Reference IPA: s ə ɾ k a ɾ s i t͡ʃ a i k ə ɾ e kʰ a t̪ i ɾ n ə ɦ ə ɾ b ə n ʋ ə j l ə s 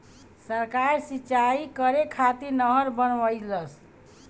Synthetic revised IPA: s ə ɾ k a ɾ s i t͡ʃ a i k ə ɾ e kʰ a t̪ i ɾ n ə ɦ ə ɾ b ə n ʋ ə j l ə s